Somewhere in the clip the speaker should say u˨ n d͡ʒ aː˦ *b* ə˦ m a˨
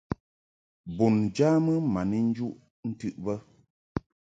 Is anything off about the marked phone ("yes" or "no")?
yes